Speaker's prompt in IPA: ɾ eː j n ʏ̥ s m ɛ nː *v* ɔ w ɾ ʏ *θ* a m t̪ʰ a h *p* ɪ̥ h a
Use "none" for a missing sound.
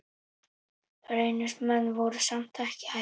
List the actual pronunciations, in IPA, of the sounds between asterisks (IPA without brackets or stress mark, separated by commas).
v, s, c